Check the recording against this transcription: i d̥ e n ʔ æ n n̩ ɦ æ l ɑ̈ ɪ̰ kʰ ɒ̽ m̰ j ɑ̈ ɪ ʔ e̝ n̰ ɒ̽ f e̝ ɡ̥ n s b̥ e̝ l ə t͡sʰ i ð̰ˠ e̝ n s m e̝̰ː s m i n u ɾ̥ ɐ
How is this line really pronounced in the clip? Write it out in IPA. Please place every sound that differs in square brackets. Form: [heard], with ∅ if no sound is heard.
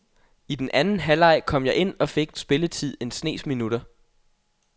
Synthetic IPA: i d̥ e n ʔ æ n n̩ ɦ æ l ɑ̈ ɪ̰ kʰ ɒ̽ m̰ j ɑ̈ ɪ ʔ e̝ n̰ ɒ̽ f e̝ ɡ̥ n s b̥ e̝ l ə t͡sʰ i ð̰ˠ e̝ n s [n] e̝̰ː s m i n u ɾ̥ ɐ